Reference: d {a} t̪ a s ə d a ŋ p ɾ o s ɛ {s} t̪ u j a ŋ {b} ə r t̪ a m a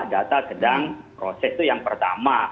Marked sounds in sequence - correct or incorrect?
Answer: correct, correct, incorrect

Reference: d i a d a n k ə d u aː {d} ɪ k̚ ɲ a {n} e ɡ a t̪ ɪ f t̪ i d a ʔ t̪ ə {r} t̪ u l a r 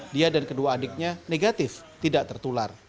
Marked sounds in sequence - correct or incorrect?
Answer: correct, correct, correct

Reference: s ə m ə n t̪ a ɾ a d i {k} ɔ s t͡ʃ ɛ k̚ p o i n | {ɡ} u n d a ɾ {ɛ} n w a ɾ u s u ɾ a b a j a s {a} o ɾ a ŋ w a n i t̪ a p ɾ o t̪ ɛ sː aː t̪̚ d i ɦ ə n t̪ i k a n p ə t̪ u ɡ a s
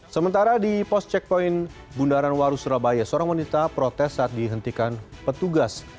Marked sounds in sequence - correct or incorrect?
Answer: incorrect, incorrect, incorrect, incorrect

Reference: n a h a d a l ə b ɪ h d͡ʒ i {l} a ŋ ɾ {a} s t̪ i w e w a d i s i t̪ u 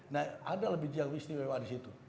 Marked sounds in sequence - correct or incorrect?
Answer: incorrect, incorrect

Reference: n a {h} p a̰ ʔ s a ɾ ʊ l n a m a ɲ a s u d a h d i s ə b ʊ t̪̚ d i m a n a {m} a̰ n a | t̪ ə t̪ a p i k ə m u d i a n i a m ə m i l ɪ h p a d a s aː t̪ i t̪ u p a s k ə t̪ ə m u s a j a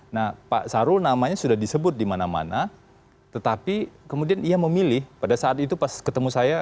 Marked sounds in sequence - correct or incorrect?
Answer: correct, correct

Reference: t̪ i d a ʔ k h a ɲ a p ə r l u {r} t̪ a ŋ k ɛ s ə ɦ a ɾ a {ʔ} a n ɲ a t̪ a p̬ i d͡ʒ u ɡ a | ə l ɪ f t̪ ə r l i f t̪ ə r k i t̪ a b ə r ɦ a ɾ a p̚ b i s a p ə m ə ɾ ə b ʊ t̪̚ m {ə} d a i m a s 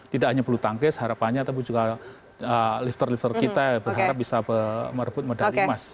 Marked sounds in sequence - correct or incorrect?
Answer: incorrect, incorrect, correct

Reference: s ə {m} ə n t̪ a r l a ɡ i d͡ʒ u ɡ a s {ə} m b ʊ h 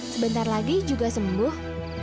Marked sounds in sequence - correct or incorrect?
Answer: incorrect, correct

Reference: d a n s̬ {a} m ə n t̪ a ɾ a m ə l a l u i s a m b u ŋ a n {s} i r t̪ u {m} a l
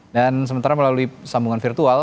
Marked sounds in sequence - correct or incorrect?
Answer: incorrect, incorrect, incorrect

